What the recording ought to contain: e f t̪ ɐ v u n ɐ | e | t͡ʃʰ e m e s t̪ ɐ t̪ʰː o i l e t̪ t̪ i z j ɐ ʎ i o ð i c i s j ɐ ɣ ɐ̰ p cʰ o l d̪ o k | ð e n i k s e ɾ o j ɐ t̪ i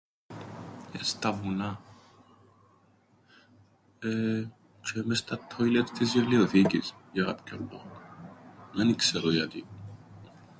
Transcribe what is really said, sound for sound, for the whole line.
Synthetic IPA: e s t̪ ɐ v u n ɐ | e | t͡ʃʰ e m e s t̪ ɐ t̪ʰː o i l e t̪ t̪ i z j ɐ l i o θ i c i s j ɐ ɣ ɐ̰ p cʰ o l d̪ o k | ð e n i k s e ɾ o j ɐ t̪ i